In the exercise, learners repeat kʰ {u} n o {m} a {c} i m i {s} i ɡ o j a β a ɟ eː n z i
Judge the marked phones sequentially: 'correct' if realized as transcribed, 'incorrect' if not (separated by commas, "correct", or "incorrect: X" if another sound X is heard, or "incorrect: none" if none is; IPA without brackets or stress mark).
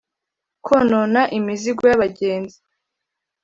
incorrect: o, incorrect: n, incorrect: ʔ, incorrect: z